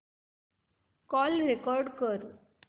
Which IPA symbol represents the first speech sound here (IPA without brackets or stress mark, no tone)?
k